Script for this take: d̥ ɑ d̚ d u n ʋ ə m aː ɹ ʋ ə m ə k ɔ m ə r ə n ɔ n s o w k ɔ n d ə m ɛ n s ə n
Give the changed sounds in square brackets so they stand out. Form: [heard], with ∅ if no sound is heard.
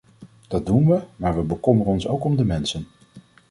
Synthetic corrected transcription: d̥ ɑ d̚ d u n ʋ ə m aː ɹ ʋ ə [b] ə k ɔ m ə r ə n ɔ n s o w k ɔ [m] d ə m ɛ n s ə n